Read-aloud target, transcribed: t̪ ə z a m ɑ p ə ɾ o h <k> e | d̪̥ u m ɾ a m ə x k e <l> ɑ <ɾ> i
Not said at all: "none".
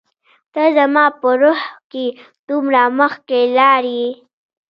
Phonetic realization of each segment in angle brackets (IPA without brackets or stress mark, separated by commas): k, l, ɾ